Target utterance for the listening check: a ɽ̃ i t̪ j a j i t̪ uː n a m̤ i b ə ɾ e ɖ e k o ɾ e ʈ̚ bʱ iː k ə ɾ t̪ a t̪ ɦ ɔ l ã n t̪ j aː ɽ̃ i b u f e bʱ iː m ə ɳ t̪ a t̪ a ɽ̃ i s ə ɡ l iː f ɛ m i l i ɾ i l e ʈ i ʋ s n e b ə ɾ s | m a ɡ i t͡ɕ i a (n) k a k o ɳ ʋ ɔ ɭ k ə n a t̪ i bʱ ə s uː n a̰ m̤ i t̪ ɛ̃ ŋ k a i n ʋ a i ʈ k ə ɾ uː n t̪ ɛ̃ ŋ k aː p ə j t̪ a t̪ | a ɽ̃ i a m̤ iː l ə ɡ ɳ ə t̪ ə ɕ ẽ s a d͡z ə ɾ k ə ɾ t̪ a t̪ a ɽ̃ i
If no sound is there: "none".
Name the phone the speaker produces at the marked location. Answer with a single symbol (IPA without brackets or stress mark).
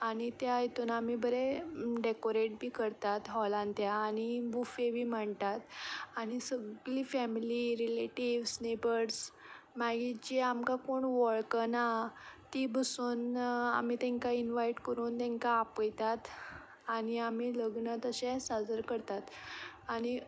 m